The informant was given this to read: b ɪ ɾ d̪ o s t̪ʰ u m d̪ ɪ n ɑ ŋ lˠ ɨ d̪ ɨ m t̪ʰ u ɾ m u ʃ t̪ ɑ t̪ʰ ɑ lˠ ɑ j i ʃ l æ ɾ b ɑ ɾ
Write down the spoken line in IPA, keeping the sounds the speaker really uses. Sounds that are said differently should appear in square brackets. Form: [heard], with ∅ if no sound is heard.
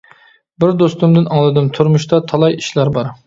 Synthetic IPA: b ɪ ɾ d̪ o s [t̪] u m d̪ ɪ n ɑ ŋ lˠ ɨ d̪ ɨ m t̪ʰ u ɾ m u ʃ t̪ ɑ t̪ʰ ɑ lˠ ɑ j i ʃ l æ ɾ b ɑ ɾ

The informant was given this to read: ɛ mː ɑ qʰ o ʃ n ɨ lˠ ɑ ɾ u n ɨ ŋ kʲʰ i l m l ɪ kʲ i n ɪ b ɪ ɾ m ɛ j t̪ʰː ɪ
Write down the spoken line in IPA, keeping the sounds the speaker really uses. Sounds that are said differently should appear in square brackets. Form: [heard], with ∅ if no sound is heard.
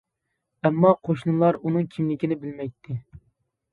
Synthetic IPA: ɛ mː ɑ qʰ o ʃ n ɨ lˠ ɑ ɾ u n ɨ ŋ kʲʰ i [∅] m l ɪ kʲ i n ɪ b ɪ [l] m ɛ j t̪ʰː ɪ

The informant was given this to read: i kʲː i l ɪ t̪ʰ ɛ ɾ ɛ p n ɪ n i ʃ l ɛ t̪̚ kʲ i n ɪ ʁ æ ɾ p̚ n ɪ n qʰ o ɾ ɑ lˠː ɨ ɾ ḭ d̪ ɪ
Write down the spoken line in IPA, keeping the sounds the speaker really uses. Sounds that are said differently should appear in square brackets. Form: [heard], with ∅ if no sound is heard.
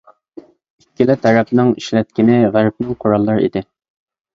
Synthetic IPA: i kʲː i l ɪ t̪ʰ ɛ ɾ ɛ p n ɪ [ŋ] i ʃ l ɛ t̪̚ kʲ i n ɪ ʁ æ ɾ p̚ n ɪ [ŋ] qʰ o ɾ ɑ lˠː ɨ ɾ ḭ d̪ ɪ

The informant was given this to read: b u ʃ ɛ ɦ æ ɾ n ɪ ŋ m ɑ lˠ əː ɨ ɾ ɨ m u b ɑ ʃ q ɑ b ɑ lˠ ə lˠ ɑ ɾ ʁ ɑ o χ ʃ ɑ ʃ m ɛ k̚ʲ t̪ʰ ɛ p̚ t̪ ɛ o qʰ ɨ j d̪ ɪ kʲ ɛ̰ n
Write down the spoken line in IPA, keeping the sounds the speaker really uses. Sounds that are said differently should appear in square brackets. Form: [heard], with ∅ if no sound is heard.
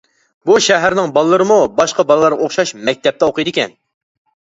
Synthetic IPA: b u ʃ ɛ ɦ æ ɾ n ɪ ŋ [b] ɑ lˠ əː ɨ ɾ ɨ m u b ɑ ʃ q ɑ b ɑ lˠ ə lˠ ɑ ɾ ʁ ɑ o χ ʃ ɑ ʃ m ɛ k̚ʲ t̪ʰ ɛ p̚ t̪ ɛ o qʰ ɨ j d̪ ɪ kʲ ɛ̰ n

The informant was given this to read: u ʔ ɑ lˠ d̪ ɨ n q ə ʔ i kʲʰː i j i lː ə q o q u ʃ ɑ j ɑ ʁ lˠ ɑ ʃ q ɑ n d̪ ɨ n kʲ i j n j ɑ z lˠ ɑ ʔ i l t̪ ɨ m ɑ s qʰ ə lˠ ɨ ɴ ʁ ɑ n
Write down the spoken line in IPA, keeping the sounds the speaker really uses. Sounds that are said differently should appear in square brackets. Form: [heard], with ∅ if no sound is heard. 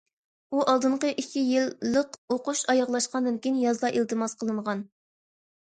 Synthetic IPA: u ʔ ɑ lˠ d̪ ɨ [ɴ] q ə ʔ i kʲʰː i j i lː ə q o q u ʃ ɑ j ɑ ʁ lˠ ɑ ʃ q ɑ n d̪ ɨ n kʲ i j n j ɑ z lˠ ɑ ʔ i l t̪ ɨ m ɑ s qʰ ə lˠ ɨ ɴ ʁ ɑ n

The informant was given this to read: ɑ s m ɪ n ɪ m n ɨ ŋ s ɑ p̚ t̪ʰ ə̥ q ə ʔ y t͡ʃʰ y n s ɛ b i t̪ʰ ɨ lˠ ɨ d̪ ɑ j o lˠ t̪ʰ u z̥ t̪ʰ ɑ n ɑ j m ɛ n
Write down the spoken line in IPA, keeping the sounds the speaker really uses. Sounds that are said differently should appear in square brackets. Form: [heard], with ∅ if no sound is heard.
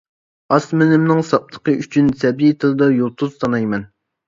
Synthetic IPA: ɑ s m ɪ n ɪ m n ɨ ŋ s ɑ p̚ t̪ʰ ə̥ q ə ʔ y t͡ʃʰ y n s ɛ b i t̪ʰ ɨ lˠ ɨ d̪ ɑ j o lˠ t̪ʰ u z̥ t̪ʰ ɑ n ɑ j m ɛ n

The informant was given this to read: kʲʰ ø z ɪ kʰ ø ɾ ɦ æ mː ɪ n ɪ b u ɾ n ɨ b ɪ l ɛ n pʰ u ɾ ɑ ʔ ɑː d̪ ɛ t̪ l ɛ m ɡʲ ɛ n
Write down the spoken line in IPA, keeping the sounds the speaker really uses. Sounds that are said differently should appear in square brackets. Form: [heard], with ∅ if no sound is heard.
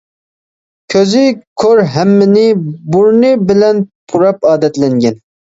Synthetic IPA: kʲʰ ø z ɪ kʰ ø ɾ ɦ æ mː ɪ n ɪ b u ɾ n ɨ b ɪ l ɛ n pʰ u ɾ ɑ [p] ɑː d̪ ɛ t̪ l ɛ [ŋ] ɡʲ ɛ n

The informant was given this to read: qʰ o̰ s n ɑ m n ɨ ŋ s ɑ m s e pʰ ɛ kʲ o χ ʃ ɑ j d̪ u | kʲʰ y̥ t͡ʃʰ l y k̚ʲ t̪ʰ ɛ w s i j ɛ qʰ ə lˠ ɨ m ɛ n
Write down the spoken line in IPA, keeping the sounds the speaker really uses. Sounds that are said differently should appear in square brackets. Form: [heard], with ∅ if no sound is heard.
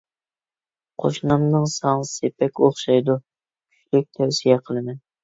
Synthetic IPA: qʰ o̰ [ʃ] n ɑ m n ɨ ŋ s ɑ [ŋ] s e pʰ ɛ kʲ o χ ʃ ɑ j d̪ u | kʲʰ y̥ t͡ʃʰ l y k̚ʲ t̪ʰ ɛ w s i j ɛ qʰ ə lˠ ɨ m ɛ n

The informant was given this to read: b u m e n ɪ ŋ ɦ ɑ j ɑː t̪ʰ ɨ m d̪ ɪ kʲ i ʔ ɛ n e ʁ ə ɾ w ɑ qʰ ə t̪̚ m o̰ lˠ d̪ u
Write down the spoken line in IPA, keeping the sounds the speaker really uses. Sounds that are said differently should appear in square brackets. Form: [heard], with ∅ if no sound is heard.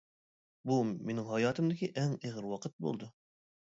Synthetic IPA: b u m e n ɪ ŋ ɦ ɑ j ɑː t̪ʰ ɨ m d̪ ɪ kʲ i ʔ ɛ [ŋ] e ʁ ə ɾ w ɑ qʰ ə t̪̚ [b] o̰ lˠ d̪ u

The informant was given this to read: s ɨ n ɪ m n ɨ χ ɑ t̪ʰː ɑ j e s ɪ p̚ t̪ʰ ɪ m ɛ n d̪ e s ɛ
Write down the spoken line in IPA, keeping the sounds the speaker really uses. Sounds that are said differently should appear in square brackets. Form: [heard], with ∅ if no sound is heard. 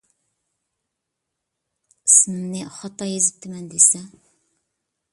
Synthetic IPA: s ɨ n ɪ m n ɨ χ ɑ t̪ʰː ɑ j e [z] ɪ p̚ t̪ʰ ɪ m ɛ n d̪ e s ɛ

